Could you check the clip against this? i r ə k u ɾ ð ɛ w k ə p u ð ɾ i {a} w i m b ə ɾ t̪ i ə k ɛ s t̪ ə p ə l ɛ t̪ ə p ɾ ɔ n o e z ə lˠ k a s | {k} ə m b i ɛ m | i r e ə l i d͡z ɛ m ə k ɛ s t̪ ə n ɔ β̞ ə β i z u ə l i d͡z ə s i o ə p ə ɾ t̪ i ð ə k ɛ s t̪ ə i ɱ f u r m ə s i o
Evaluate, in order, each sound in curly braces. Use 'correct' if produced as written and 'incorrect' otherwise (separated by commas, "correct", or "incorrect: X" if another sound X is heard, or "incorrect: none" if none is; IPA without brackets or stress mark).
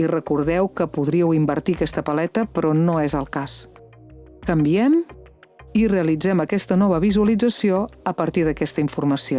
incorrect: ə, correct